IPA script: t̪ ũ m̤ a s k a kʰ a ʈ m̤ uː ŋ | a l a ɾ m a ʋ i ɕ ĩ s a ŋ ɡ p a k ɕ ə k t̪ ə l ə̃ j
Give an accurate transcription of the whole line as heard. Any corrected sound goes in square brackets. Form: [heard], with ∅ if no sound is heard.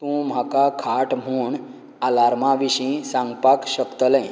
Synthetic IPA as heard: t̪ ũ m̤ a [∅] k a kʰ a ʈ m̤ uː [ɳ] | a l a ɾ m a ʋ i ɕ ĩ s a ŋ ɡ p a k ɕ ə k t̪ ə l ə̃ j